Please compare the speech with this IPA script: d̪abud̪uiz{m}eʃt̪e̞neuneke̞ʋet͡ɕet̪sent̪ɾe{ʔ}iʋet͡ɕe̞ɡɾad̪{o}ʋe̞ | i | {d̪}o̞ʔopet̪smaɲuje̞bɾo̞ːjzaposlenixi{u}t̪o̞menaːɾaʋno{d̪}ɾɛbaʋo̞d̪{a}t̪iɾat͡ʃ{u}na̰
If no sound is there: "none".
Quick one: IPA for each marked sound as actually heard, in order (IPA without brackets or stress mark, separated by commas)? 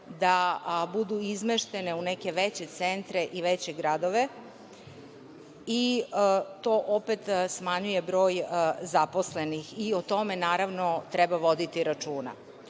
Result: m, ʔ, o, t̪, o, t̪, i, uː